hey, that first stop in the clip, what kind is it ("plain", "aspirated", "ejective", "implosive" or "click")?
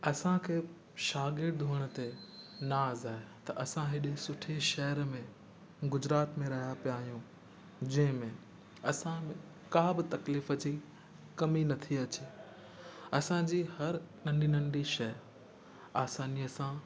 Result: aspirated